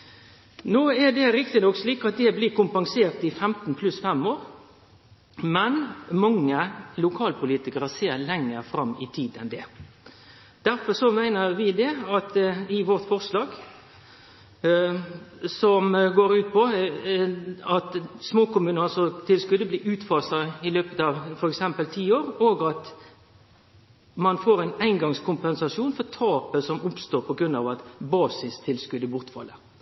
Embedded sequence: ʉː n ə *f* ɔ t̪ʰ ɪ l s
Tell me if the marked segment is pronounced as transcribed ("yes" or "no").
no